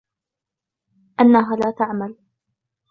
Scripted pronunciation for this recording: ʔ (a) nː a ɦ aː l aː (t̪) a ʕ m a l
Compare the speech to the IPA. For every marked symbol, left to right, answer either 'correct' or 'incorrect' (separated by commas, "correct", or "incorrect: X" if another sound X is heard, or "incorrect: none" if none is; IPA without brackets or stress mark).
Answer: correct, correct